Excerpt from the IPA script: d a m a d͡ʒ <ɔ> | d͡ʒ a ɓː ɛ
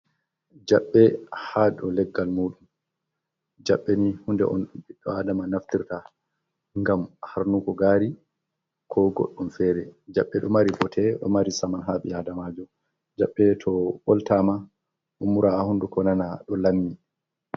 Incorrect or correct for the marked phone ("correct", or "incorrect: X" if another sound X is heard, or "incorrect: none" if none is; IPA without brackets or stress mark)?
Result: correct